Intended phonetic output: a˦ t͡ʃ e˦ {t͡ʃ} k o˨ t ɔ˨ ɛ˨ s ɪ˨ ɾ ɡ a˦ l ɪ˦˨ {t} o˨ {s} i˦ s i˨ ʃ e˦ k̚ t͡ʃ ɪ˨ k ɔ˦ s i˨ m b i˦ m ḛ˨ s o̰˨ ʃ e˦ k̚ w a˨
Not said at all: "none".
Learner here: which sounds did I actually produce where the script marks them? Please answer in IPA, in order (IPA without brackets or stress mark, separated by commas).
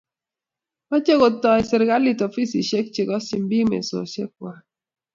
none, t, f